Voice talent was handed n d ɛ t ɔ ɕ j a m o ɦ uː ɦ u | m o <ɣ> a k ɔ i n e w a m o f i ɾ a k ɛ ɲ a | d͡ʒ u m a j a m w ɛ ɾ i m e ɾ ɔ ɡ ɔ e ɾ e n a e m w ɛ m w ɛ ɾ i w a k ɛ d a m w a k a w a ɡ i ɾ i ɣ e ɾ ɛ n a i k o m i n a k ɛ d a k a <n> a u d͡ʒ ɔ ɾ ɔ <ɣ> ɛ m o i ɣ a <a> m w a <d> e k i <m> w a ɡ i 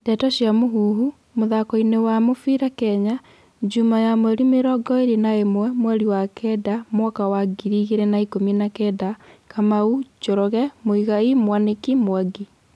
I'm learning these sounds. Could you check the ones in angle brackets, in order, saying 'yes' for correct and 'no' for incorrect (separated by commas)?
no, no, yes, no, no, yes